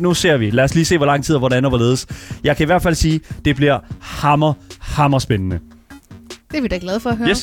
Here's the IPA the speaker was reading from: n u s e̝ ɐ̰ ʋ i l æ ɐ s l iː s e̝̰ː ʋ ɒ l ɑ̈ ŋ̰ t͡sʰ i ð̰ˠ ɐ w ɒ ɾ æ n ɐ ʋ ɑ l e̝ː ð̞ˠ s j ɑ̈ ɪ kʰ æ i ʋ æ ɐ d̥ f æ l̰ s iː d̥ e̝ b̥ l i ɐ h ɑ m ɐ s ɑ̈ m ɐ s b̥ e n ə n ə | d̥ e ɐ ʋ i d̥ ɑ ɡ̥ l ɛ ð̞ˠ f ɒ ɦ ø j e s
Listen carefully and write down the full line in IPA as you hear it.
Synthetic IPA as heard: n u s e̝ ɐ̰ ʋ i l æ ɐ s l iː s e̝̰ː ʋ ɒ l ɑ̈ ŋ̰ t͡sʰ i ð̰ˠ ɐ ʋ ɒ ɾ æ n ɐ ʋ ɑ l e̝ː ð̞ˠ s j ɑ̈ ɪ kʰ æ i ʋ æ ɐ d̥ f æ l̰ s iː d̥ e̝ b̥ l i ɐ h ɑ m ɐ h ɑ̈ m ɐ s b̥ e n ə n ə | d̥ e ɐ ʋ i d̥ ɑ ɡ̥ l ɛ ð̞ˠ f ɒ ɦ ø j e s